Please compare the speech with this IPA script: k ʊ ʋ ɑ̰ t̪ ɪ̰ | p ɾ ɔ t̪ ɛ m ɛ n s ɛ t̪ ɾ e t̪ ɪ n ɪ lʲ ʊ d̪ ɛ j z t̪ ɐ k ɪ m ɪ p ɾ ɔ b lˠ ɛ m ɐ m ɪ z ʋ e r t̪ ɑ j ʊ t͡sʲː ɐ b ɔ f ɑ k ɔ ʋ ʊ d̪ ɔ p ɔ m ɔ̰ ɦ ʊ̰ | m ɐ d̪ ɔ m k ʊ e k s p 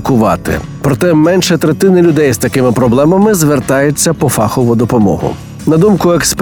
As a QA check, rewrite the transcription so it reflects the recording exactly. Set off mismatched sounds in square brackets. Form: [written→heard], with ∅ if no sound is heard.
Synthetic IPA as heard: k ʊ ʋ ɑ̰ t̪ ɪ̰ | p ɾ ɔ t̪ ɛ m ɛ n [s→ʃ] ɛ t̪ ɾ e t̪ ɪ n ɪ lʲ ʊ d̪ ɛ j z t̪ ɐ k ɪ m ɪ p ɾ ɔ b lˠ ɛ m ɐ m ɪ z ʋ e r t̪ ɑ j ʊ t͡sʲː ɐ [b→p] ɔ f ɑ [k→x] ɔ ʋ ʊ d̪ ɔ p ɔ m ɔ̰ ɦ ʊ̰ | [m→n] ɐ d̪ [ɔ→u] m k ʊ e k s p